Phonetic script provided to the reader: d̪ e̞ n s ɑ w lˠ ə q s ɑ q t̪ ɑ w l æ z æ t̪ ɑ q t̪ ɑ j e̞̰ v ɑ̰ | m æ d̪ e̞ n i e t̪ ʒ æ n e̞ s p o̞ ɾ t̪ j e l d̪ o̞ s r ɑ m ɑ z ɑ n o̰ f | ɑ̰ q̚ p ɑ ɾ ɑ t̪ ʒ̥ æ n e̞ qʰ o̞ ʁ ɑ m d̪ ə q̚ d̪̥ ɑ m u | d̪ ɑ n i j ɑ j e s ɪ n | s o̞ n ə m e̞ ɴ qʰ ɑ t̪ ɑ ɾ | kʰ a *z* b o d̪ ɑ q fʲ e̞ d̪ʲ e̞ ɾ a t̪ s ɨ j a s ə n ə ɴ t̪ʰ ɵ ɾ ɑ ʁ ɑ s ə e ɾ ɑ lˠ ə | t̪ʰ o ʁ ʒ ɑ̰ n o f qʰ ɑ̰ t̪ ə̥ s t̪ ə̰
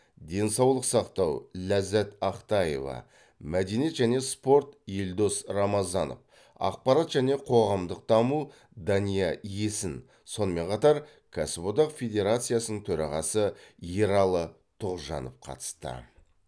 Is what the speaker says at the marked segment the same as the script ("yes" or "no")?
no